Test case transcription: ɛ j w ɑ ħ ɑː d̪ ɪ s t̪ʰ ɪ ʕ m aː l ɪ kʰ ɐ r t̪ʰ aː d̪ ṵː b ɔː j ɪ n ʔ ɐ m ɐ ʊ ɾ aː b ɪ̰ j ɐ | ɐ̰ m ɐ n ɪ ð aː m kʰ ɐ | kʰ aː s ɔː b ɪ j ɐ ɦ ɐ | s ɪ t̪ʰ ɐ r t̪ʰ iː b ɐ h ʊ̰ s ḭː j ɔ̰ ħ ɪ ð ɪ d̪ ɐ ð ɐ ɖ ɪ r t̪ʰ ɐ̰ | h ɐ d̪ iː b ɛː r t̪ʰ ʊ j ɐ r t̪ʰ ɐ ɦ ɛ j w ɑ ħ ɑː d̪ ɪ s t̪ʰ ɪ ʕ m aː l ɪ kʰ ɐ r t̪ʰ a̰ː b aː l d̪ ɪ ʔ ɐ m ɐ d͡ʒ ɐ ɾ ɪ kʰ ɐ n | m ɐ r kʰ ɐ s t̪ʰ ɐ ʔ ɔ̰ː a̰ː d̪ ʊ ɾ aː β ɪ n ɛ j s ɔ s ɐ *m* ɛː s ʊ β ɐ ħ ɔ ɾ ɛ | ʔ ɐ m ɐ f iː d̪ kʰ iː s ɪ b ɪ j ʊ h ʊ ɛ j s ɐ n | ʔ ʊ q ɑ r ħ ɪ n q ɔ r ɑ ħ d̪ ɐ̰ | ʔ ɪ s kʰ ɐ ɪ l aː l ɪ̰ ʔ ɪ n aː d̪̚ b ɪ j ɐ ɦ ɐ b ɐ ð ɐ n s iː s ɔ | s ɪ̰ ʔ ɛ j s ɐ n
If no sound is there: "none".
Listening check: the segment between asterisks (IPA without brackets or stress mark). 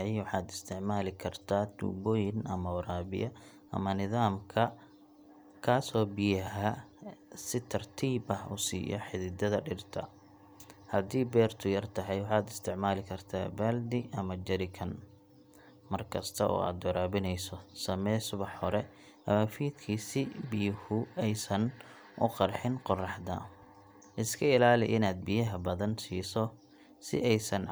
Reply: m